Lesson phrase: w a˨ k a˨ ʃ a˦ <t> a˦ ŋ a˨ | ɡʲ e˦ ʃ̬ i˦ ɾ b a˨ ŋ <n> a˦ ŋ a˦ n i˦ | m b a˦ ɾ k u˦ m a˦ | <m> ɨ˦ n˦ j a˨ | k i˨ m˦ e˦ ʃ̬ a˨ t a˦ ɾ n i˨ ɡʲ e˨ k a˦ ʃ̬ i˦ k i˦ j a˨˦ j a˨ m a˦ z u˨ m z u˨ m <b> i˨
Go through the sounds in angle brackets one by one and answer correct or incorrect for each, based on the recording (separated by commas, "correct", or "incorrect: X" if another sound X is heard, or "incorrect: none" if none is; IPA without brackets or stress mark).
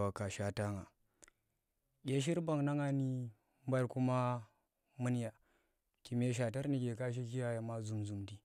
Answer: correct, correct, correct, incorrect: d